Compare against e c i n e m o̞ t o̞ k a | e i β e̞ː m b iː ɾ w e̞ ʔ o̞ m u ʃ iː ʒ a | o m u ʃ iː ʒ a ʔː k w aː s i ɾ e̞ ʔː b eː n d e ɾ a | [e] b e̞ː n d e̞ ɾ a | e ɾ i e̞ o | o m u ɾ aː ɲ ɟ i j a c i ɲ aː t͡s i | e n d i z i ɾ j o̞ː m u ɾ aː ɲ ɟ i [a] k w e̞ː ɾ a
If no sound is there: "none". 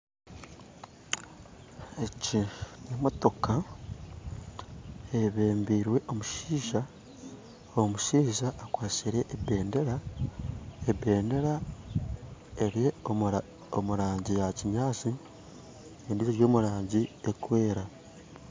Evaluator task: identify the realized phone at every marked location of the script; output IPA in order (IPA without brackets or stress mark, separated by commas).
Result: e, e